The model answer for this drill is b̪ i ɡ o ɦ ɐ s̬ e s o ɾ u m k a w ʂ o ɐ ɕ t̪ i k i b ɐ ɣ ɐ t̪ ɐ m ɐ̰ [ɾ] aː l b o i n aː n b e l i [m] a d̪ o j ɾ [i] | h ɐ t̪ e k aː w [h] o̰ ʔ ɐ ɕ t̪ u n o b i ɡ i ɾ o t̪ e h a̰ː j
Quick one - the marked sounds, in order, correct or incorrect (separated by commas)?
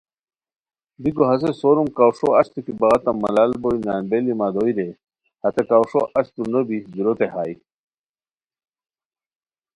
incorrect, correct, incorrect, incorrect